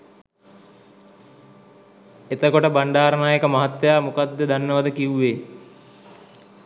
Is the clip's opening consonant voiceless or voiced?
voiceless